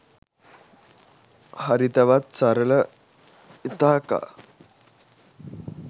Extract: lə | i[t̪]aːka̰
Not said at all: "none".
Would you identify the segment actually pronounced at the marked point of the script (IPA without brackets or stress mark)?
t̪